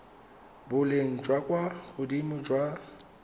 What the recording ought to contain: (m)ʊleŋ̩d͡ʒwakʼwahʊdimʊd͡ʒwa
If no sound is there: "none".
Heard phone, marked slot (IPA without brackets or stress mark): b